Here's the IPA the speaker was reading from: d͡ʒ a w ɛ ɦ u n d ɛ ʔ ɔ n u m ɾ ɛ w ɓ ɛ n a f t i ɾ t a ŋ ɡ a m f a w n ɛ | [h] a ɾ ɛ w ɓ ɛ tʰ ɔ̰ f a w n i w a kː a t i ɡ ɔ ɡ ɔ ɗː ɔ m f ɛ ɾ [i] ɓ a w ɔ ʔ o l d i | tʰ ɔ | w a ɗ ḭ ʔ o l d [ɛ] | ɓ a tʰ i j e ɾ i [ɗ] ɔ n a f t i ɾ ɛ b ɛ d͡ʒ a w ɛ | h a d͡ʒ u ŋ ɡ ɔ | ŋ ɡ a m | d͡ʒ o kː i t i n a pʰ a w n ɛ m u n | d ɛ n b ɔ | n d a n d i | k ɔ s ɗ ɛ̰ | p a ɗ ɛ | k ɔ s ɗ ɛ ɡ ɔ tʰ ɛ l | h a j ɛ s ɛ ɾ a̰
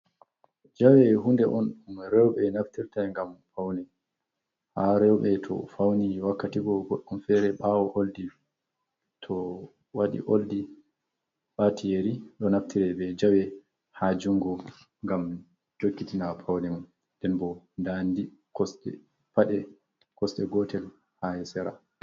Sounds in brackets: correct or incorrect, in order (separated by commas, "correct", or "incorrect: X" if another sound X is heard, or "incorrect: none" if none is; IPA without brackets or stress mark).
correct, incorrect: ɛ, incorrect: i, correct